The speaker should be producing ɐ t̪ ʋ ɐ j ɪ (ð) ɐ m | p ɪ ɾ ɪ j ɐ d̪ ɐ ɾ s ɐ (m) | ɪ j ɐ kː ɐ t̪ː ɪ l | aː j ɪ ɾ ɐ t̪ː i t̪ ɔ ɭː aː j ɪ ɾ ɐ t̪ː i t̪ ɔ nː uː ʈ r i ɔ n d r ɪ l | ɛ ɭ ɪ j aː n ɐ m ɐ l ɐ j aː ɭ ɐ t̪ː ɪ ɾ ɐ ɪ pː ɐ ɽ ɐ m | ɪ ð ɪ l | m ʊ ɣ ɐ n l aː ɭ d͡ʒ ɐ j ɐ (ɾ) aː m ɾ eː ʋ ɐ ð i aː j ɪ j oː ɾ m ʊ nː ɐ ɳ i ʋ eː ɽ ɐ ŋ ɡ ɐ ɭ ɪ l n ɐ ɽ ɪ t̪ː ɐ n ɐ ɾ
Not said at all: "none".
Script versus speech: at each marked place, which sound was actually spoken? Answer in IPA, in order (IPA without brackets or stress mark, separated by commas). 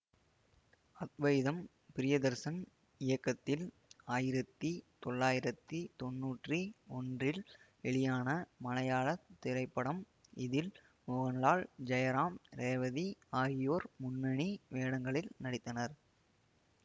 ð, n, ɾ